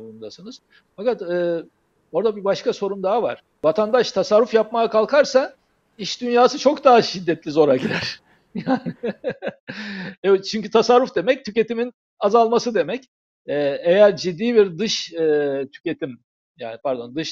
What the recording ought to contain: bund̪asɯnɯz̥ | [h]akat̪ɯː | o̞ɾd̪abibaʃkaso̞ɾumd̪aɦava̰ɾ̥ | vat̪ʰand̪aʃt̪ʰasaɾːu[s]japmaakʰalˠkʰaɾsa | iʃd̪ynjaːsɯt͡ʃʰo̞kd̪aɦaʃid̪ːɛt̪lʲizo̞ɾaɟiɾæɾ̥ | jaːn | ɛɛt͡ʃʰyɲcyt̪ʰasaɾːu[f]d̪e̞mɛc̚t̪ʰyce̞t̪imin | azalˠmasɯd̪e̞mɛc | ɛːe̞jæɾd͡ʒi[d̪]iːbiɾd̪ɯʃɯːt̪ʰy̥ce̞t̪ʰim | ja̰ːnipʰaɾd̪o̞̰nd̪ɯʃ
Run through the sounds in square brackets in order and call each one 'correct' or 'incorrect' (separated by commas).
incorrect, incorrect, correct, incorrect